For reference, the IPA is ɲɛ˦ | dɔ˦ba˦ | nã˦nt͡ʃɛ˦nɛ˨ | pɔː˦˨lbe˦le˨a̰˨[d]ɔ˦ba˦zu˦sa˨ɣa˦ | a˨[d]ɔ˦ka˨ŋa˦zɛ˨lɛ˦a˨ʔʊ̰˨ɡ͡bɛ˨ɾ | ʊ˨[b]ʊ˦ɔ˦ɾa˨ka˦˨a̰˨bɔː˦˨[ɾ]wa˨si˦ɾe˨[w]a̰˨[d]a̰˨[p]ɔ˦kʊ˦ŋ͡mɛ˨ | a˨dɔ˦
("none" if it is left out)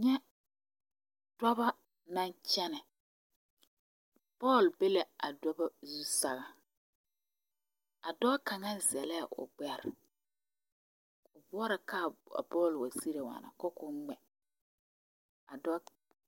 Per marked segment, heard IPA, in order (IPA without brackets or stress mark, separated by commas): d, d, b, l, w, n, k